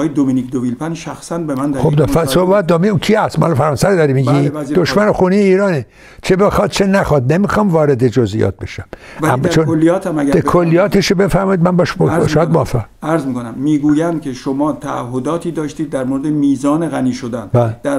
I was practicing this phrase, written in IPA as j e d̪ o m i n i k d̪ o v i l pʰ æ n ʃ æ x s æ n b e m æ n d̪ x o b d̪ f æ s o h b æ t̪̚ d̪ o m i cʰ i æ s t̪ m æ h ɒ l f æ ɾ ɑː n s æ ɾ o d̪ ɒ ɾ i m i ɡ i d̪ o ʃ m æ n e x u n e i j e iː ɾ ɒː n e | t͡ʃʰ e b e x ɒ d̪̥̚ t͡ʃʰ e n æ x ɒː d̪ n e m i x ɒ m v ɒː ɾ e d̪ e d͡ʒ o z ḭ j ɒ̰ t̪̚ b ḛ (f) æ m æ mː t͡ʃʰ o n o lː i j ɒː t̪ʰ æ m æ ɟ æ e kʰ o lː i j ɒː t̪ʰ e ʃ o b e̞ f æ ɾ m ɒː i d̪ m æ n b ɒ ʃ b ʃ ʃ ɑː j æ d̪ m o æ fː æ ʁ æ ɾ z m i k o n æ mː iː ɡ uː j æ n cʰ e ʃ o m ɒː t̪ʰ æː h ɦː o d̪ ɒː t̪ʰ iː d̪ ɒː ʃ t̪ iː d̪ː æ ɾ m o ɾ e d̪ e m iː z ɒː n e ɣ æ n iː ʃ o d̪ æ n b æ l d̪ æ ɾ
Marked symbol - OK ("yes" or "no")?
no